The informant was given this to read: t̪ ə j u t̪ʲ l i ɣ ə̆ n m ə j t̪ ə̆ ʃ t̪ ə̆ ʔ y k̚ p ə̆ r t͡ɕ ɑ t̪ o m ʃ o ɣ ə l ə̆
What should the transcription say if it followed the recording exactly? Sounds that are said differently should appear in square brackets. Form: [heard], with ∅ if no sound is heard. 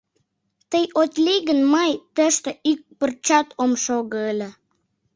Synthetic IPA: t̪ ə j [o] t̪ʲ l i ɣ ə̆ n m [ɑ] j t̪ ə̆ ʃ t̪ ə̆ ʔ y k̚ p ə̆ r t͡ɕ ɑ t̪ o m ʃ o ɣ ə l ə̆